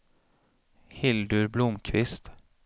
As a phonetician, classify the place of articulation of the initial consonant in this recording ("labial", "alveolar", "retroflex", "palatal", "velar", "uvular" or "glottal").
glottal